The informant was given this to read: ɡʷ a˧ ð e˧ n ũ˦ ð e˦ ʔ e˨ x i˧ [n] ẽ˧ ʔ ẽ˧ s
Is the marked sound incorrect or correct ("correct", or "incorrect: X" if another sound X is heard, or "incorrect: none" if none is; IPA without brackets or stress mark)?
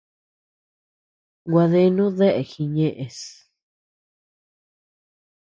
incorrect: ɲ